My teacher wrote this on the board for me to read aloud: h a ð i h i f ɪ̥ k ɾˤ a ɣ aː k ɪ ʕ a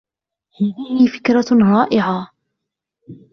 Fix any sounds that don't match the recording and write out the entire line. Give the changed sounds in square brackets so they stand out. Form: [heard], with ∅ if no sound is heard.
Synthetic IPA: h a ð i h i f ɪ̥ k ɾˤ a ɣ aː [ʔ] ɪ ʕ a